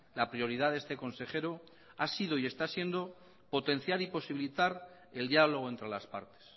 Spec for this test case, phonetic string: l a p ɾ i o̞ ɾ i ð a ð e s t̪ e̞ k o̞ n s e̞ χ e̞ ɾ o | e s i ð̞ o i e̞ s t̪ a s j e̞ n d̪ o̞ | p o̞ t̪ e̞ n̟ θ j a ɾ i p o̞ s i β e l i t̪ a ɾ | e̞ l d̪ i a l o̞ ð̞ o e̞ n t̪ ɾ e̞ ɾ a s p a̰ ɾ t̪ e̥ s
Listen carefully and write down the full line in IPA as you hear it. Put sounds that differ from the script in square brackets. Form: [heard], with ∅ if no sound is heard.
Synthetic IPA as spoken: l a p ɾ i o̞ ɾ i ð a ð e s t̪ e̞ k o̞ n s e̞ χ e̞ ɾ o | [a] s i ð̞ o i e̞ s t̪ a s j e̞ n d̪ o̞ | p o̞ t̪ e̞ n̟ θ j a ɾ i p o̞ s i β [i] l i t̪ a ɾ | e̞ l d̪ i a l o̞ [ɣ̞] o e̞ n t̪ ɾ e̞ [l] a s p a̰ ɾ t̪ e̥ s